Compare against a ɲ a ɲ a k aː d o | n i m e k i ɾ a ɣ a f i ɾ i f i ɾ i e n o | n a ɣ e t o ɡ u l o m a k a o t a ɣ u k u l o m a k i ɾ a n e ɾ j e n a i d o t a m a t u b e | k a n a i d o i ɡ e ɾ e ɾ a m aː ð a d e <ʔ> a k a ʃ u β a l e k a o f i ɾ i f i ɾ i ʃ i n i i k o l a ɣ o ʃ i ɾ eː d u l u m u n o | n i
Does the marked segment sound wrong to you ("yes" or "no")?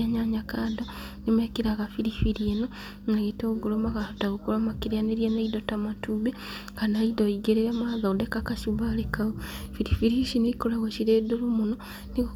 yes